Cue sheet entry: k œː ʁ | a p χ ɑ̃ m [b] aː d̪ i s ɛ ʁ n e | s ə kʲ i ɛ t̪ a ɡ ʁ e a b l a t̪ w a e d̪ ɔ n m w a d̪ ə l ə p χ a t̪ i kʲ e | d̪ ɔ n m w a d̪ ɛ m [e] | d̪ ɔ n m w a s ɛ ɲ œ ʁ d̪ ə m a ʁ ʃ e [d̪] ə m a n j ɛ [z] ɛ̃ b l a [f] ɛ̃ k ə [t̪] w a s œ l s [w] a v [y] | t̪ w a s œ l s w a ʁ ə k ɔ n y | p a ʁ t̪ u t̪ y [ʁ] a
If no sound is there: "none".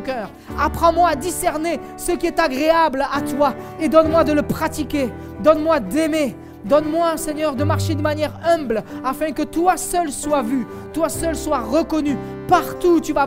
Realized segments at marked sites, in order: w, e, d̪, ʁ, f, t̪, w, y, v

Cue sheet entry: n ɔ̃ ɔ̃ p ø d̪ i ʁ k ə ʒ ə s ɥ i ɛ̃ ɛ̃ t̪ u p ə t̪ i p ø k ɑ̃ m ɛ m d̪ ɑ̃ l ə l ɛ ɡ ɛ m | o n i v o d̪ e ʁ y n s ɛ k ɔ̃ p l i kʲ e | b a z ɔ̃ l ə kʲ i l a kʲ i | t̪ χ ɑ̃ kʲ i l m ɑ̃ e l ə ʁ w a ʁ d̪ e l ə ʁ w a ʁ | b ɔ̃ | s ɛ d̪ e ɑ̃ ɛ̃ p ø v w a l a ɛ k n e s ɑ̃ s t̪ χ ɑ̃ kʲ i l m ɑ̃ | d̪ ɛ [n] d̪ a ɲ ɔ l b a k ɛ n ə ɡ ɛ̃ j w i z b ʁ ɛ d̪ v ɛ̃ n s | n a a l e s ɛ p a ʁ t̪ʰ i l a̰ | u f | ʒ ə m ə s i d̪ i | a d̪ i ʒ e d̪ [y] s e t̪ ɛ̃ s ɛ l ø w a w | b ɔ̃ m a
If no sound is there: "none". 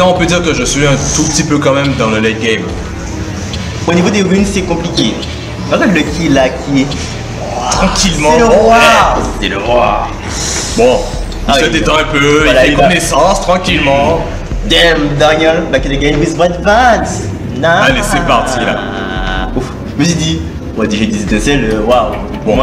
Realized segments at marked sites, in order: m, i

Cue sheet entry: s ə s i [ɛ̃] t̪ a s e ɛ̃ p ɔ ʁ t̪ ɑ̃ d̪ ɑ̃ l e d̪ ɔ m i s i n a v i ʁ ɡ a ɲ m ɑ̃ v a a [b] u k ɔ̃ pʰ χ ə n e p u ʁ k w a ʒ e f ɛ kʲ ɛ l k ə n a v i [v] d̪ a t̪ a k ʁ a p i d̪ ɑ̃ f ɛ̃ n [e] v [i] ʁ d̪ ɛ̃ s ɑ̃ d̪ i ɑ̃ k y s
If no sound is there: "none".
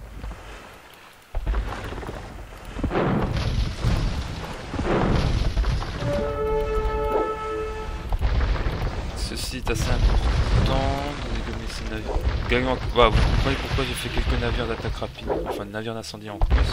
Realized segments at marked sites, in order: ɛ, v, ʁ, a, i

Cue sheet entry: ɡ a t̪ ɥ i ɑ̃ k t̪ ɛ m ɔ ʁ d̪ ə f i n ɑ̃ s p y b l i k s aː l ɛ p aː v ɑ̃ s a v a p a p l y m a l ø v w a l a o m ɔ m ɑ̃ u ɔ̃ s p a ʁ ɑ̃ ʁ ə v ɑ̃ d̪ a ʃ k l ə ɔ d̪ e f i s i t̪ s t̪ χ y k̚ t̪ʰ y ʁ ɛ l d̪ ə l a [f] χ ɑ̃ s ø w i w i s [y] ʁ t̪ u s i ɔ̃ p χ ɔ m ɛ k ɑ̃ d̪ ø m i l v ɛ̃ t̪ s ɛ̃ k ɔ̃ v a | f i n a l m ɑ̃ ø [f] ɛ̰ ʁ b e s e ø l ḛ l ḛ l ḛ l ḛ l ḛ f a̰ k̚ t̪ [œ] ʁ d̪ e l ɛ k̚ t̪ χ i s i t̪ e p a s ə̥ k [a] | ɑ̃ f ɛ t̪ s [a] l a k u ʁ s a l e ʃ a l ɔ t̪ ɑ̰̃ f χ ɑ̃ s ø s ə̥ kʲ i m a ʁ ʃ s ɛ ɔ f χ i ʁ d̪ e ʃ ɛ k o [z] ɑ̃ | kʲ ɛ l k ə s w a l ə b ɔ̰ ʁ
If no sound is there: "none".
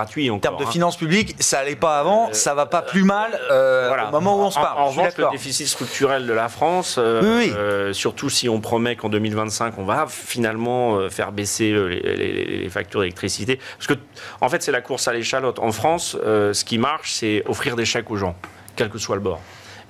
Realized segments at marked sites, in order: f, y, f, y, ə, ɛ, ʒ

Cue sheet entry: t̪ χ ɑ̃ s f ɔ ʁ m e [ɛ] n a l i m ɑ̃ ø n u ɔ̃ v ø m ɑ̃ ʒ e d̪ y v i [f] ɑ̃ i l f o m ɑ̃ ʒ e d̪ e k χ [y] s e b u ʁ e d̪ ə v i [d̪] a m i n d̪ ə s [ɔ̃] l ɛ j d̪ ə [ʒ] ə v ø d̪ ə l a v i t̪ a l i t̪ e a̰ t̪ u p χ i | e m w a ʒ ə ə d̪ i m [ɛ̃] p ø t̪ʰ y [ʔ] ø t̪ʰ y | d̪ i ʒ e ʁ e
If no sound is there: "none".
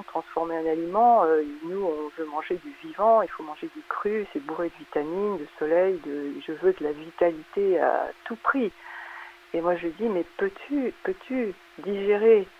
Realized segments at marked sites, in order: ɛ̃, v, y, t̪, ɔ, ʒ, ɛ, p

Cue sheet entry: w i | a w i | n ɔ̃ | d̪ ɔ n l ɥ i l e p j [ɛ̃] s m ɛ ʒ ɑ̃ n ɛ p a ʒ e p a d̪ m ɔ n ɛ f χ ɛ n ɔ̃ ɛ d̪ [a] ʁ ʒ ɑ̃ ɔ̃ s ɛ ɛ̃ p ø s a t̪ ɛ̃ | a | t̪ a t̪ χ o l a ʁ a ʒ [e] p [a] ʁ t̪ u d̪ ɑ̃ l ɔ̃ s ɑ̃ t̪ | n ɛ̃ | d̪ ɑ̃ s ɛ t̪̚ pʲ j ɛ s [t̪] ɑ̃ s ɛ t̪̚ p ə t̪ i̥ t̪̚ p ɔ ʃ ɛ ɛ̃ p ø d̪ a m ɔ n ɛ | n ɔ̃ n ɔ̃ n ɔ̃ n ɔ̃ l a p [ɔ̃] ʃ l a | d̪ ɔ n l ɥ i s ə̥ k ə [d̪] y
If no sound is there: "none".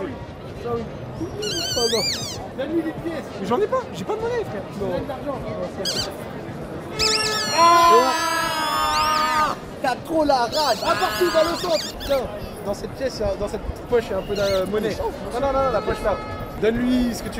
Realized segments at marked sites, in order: ɛ, a, a, a, d̪, ɔ, t̪

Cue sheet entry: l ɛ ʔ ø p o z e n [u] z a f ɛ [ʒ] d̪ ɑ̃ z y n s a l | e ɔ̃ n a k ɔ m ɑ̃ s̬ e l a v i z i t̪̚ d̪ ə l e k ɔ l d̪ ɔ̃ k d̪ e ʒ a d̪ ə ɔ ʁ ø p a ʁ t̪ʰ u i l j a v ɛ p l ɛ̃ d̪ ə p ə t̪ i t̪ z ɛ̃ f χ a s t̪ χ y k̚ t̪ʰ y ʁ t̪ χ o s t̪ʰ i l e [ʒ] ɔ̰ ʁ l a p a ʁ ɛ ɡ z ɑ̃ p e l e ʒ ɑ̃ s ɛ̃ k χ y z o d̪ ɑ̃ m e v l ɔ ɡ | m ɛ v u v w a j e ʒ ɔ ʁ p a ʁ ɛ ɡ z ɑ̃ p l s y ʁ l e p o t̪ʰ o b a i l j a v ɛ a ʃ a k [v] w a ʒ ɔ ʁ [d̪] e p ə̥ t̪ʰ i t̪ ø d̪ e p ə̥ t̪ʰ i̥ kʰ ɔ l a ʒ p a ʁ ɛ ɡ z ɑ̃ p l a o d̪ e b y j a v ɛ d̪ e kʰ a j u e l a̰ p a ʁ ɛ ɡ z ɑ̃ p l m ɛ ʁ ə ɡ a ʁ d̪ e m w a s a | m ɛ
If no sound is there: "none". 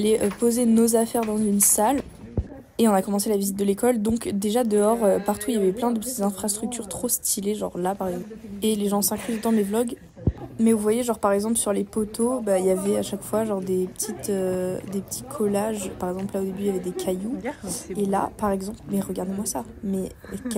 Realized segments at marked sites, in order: o, ʁ, ʒ, f, d̪

